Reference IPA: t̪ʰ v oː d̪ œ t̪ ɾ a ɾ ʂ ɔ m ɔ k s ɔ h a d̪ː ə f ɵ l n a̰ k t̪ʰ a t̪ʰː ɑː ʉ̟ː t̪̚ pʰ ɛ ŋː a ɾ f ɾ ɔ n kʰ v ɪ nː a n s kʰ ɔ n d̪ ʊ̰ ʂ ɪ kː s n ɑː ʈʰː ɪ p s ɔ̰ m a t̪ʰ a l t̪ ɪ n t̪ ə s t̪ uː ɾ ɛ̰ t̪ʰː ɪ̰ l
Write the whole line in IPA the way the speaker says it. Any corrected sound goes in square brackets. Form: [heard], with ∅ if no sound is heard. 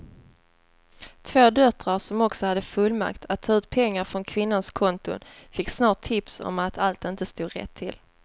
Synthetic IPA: t̪ʰ v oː d̪ œ t̪ ɾ a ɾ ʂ ɔ m ɔ k s ɔ h a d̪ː ə f ɵ l [m] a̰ k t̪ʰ a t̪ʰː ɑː ʉ̟ː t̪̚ pʰ ɛ ŋː a ɾ f ɾ ɔ n kʰ v ɪ nː a n s kʰ ɔ n [t̪] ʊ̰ [f] ɪ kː s n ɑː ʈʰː ɪ p s ɔ̰ m a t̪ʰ a l t̪ ɪ n t̪ ə s t̪ uː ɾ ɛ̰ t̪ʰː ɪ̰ l